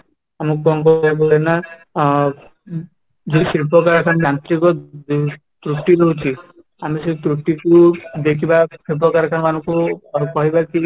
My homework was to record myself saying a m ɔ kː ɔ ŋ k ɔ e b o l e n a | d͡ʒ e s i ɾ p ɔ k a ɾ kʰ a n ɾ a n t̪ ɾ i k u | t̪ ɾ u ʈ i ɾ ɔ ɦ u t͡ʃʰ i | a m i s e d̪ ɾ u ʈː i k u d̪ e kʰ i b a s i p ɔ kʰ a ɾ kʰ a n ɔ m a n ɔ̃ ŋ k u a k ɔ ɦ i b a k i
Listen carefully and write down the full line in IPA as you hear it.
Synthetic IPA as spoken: a m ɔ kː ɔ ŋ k ɔ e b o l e n a | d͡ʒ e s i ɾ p ɔ k a ɾ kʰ a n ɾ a n t̪ ɾ i k ɔ | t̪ ɾ u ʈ i ɾ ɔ ɦ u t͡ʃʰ i | a m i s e t̪ ɾ u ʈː i k u d̪ e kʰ i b a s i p ɔ k a ɾ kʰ a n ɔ m a n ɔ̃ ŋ k u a k ɔ ɦ i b a k i